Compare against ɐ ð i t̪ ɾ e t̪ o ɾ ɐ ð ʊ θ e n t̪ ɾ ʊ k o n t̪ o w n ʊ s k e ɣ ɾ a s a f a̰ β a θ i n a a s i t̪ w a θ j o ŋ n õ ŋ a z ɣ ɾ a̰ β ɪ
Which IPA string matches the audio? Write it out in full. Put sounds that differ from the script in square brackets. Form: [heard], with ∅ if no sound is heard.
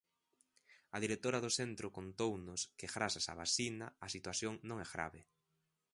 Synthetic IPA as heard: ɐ ð i [∅] ɾ e t̪ o ɾ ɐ ð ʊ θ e n t̪ ɾ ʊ k o n t̪ o w n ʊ s k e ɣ ɾ a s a [s] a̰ β a [s] i n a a s i t̪ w a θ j o ŋ n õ ŋ [ɛ] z ɣ ɾ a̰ β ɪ